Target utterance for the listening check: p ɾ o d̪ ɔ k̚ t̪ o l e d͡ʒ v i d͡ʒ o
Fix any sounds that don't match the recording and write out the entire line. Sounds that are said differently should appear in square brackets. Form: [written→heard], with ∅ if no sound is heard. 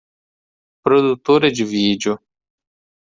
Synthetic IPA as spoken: p ɾ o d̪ [ɔ→u] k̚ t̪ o [l→ɾ] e d͡ʒ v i d͡ʒ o